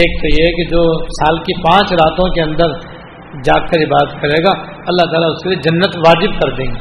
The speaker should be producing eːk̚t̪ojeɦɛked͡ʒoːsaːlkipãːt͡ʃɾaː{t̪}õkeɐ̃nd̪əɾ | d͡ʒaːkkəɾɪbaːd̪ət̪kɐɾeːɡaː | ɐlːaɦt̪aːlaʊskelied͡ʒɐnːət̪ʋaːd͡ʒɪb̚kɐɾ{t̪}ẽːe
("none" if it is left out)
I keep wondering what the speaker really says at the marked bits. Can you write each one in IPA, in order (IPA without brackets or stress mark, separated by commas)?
t̪, d̪